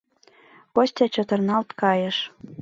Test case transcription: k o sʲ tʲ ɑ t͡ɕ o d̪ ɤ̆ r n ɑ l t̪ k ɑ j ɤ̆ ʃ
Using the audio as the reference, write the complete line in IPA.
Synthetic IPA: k o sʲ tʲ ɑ t͡ɕ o t̪ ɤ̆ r n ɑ l t̪ k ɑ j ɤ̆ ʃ